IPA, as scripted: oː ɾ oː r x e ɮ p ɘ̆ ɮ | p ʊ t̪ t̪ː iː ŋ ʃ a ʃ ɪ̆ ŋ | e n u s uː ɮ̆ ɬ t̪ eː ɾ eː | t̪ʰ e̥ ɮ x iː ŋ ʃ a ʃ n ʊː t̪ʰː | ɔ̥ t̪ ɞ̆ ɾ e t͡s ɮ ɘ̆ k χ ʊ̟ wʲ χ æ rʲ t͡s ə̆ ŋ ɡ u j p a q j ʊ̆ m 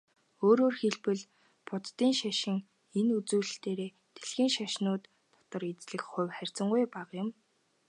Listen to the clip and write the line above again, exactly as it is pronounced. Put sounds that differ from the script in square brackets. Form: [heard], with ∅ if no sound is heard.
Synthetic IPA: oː ɾ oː r x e ɮ p ɘ̆ ɮ | p ʊ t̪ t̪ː iː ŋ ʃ a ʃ ɪ̆ ŋ | e n u [t͡s] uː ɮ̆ ɬ t̪ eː ɾ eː | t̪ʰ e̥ ɮ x iː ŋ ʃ a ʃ n ʊː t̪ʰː | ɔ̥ t̪ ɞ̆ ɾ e t͡s ɮ ɘ̆ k χ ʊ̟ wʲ χ æ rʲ t͡s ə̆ ŋ ɡ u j p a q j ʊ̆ m